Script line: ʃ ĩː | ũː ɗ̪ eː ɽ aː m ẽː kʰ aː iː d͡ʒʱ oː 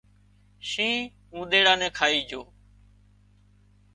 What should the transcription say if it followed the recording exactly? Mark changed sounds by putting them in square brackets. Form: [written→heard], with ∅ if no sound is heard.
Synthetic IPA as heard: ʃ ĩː | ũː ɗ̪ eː ɽ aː [m→n] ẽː kʰ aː iː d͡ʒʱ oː